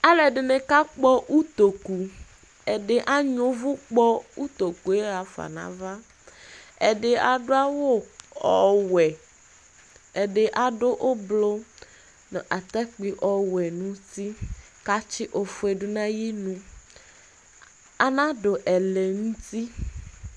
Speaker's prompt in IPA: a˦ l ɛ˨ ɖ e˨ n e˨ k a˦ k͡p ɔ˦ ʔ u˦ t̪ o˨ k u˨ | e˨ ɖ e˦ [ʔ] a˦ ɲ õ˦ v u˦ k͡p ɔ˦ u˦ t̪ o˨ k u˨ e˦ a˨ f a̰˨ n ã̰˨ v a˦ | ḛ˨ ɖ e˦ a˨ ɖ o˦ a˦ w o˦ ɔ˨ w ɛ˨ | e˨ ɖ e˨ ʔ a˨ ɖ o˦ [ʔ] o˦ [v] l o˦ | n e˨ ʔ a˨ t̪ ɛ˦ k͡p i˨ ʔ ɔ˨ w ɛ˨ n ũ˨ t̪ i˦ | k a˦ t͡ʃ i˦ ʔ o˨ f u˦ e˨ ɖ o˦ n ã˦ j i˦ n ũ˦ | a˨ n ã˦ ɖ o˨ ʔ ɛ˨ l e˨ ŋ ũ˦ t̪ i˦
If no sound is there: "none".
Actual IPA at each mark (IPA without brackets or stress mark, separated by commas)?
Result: ʔ, ʔ, b